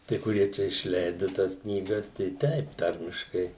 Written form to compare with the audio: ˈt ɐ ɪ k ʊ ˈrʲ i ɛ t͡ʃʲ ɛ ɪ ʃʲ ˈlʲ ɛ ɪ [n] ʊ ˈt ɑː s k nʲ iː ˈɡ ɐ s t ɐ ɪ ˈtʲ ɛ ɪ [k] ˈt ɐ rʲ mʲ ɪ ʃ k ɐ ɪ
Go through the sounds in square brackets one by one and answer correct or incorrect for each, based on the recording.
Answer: incorrect, incorrect

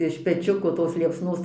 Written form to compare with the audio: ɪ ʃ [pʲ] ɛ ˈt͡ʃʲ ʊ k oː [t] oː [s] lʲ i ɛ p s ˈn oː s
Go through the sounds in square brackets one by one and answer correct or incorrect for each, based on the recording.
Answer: correct, correct, correct

